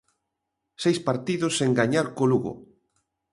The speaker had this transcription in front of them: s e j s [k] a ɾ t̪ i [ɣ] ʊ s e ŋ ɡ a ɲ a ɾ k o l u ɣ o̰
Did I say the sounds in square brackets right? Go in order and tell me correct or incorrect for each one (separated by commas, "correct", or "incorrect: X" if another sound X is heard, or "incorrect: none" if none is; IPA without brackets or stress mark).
incorrect: p, incorrect: ð